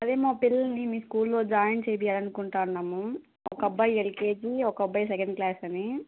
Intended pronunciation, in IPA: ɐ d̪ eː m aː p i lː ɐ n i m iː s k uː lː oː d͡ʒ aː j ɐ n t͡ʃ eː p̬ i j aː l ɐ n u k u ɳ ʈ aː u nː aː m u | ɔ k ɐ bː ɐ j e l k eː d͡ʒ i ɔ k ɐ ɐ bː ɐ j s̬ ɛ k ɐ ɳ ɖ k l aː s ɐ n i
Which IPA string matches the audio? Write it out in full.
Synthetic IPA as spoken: ɐ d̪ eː m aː p i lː ɐ n i m iː s k uː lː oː d͡ʒ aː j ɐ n t͡ʃ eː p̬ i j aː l ɐ n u k u ɳ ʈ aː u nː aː m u | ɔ k ɐ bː ɐ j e l k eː d͡ʒ i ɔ k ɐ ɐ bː ɐ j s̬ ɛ k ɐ ɳ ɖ k l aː s ɐ n i